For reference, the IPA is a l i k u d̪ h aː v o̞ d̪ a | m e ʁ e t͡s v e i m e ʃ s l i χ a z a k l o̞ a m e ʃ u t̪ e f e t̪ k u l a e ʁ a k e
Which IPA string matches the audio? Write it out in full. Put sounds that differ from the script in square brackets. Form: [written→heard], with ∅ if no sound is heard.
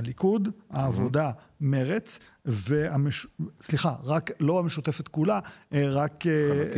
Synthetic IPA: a l i k u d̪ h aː v o̞ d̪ a | m e ʁ e t͡s v e [i→a] m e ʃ s l i χ a [z→ʁ] a k l o̞ a m e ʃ u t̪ e f e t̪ k u l a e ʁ a k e